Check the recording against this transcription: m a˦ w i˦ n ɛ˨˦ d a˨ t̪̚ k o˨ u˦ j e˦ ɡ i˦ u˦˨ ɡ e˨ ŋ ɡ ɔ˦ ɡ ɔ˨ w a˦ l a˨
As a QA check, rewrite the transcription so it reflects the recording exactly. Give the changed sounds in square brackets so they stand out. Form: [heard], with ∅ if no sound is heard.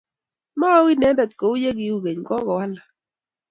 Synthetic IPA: m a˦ w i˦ n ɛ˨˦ d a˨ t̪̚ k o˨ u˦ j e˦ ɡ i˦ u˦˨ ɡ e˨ [ɲ] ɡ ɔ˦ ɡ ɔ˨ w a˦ l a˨